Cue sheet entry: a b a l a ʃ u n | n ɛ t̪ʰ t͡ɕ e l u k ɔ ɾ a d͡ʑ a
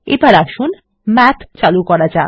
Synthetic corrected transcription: e b a ɾ a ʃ u n | m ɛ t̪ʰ t͡ɕ a l u k ɔ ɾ a d͡ʑ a